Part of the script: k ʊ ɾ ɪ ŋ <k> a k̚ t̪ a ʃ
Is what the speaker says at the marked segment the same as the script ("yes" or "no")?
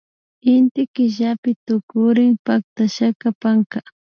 no